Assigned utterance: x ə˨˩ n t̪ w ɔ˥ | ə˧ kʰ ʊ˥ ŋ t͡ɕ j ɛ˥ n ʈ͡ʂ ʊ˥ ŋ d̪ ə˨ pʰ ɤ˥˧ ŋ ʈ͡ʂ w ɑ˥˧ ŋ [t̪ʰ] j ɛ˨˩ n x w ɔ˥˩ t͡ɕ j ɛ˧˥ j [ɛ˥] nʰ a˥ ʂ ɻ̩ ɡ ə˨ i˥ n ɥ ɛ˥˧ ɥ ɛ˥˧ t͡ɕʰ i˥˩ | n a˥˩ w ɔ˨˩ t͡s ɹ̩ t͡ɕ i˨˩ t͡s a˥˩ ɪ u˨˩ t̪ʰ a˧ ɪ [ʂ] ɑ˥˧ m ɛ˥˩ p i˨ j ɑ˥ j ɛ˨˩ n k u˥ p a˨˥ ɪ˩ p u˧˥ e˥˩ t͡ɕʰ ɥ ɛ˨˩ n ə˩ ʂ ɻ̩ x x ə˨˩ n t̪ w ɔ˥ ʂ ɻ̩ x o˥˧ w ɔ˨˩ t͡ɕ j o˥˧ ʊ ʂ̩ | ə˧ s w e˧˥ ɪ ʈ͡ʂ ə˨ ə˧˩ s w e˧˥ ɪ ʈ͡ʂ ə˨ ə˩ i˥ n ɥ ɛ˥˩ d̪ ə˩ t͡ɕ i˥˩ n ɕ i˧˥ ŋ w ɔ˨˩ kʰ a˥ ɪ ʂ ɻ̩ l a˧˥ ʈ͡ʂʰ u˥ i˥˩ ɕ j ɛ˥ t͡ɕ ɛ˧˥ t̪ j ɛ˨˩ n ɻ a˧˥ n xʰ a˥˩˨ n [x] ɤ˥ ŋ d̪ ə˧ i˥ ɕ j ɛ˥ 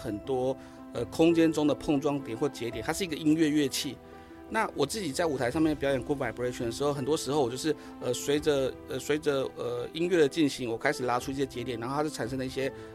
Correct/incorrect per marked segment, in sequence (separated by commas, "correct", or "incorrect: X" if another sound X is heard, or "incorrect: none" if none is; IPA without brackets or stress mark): incorrect: t̪, incorrect: ɛ˨˩˦, correct, incorrect: ʂ